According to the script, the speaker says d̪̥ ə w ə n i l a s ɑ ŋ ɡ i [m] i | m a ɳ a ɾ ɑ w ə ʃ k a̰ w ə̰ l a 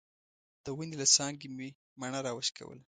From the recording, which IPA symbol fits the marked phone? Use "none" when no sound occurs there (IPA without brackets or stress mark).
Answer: m